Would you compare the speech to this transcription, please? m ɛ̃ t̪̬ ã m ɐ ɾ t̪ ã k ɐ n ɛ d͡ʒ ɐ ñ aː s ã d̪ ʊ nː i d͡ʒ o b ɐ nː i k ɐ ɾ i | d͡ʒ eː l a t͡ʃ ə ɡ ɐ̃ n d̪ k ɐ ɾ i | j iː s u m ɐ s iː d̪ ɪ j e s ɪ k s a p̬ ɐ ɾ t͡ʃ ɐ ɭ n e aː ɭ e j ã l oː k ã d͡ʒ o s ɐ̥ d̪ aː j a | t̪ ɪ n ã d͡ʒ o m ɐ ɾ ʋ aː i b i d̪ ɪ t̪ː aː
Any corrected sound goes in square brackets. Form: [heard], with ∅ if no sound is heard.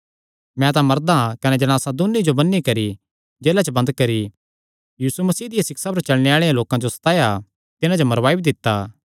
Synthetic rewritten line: m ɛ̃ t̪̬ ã m ɐ ɾ [d̪] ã k ɐ n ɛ d͡ʒ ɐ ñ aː s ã d̪ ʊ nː i d͡ʒ o b ɐ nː i k ɐ ɾ i | d͡ʒ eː l a t͡ʃ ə [b] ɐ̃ n d̪ k ɐ ɾ i | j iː s u m ɐ s iː d̪ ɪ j [a] s ɪ k s a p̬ ɐ ɾ t͡ʃ ɐ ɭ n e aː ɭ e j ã l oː k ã d͡ʒ o s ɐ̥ [t̪] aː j a | t̪ ɪ n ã d͡ʒ o m ɐ ɾ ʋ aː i b i d̪ ɪ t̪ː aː